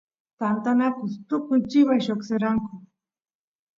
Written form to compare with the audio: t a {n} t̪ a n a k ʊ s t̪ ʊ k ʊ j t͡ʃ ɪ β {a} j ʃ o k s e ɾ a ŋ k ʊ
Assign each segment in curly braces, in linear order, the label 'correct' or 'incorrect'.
correct, correct

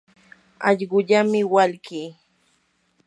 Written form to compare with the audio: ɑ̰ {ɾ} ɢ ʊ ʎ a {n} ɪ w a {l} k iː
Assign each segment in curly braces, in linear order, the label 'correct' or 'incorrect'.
incorrect, incorrect, correct

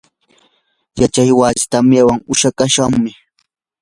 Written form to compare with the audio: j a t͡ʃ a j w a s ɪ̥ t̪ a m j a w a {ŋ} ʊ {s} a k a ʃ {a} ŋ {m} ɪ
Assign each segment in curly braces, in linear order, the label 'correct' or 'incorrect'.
correct, incorrect, correct, correct

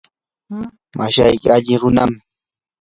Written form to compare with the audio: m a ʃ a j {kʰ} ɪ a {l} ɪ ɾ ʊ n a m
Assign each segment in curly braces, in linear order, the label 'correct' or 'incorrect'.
incorrect, incorrect

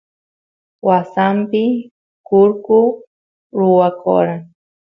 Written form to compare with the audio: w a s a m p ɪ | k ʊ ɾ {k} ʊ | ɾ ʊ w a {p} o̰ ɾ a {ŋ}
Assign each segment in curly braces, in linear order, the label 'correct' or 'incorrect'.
correct, incorrect, correct

